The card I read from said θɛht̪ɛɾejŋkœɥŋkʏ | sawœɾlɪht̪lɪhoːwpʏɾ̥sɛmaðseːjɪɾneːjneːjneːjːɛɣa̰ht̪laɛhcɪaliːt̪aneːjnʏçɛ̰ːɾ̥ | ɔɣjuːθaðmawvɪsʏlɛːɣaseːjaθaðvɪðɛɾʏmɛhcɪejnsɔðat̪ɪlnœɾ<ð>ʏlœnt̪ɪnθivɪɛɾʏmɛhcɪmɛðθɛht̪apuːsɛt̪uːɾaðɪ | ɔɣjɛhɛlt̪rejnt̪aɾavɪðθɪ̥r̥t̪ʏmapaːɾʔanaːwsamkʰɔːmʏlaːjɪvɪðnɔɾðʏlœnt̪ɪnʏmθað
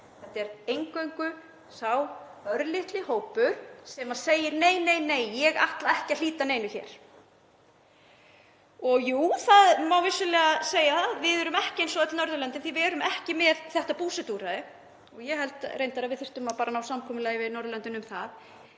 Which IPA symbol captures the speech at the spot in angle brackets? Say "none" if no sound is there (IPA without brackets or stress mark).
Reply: ð